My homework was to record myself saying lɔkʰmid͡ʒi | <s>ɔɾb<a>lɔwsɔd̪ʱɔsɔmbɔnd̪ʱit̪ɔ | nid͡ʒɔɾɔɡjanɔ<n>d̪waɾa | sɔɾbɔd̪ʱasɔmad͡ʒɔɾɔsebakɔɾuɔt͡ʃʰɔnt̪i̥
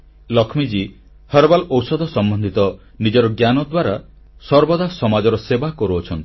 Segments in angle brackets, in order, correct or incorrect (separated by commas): incorrect, correct, incorrect